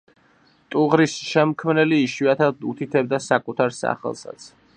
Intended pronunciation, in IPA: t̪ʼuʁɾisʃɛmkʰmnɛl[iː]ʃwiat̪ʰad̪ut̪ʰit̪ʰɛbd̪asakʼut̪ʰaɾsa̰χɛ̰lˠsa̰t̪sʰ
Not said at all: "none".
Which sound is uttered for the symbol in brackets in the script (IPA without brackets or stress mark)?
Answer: iː